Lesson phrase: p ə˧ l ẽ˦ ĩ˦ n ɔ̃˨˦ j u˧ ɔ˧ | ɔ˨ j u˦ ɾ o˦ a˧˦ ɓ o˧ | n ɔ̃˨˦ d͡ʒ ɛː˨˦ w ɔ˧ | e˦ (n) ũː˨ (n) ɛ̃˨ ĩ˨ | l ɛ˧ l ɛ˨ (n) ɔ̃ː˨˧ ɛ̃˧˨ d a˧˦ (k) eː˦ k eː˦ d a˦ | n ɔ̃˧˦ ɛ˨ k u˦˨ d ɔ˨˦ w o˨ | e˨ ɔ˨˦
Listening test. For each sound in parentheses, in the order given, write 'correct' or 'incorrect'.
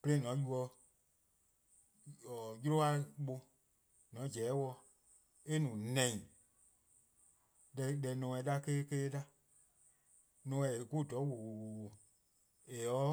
correct, correct, correct, correct

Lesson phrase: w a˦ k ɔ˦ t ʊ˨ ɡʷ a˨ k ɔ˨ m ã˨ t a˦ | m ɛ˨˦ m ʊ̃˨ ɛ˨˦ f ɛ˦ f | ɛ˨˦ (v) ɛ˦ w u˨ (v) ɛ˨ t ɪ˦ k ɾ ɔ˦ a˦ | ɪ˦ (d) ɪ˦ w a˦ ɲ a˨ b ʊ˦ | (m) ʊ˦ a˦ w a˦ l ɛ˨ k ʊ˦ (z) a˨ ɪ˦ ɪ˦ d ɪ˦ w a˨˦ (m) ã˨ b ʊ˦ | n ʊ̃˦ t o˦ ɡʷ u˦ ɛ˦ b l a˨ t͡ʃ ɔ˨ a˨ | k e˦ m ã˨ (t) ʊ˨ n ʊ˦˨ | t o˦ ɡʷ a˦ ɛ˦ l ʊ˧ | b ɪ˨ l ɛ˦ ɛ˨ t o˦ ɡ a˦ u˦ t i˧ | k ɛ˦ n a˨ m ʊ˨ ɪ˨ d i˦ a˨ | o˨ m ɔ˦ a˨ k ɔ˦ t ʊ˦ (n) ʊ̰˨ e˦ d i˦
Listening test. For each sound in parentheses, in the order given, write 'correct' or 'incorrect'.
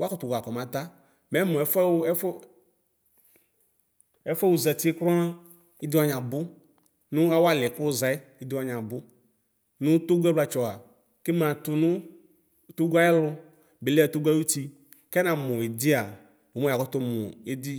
incorrect, incorrect, correct, incorrect, correct, incorrect, correct, incorrect

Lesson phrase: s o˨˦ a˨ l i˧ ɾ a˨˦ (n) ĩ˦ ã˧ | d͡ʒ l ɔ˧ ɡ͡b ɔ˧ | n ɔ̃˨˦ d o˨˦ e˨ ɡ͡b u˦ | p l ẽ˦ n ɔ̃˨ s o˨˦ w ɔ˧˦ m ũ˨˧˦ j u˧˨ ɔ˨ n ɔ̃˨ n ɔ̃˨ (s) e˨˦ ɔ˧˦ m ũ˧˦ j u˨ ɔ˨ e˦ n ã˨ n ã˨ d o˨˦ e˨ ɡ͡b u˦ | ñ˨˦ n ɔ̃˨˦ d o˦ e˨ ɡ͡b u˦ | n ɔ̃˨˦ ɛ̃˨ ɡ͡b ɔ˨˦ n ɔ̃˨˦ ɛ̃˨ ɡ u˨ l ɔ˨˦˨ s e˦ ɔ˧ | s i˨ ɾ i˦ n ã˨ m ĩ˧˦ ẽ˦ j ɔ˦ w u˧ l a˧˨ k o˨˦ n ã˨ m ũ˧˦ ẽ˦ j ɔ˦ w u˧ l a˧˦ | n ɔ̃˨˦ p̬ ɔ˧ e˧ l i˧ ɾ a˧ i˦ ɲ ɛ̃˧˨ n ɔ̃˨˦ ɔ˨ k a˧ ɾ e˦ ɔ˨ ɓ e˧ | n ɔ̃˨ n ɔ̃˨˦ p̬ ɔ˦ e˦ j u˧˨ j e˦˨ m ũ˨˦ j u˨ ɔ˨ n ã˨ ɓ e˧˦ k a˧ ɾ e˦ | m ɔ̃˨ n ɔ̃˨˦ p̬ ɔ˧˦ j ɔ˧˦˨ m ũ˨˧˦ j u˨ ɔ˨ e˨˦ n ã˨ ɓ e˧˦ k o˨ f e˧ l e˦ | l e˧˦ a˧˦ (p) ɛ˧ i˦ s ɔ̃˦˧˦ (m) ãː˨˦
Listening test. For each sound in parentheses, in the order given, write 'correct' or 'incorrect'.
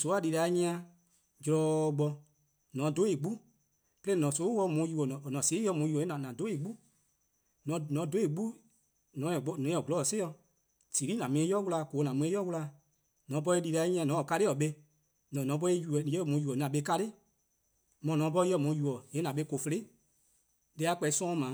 incorrect, correct, incorrect, correct

